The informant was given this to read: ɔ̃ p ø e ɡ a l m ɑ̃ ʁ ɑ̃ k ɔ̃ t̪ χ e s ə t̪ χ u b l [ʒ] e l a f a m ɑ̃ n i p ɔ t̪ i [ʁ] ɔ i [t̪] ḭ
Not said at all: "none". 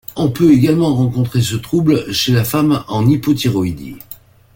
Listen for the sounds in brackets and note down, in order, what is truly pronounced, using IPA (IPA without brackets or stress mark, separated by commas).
ʃ, ʁ, d̪